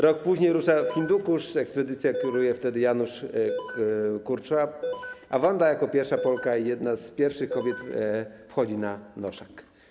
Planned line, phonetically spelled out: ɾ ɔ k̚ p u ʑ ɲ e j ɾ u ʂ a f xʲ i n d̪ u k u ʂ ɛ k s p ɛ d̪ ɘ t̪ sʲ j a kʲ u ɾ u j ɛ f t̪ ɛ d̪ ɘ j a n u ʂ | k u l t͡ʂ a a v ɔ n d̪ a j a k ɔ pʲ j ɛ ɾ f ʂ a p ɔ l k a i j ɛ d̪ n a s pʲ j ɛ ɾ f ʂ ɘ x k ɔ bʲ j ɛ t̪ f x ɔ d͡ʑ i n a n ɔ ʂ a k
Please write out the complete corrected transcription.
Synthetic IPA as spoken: ɾ ɔ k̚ p u ʑ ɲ e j ɾ u ʂ a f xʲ i n d̪ u k u ʂ ɛ k s p ɛ d̪ ɘ t̪ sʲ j a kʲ u ɾ u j ɛ f t̪ ɛ d̪ ɘ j a n u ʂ | k u ɾ t͡ʂ a a v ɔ n d̪ a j a k ɔ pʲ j ɛ ɾ f ʂ a p ɔ l k a i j ɛ d̪ n a s pʲ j ɛ ɾ f ʂ ɘ x k ɔ bʲ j ɛ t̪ f x ɔ d͡ʑ i n a n ɔ ʂ a k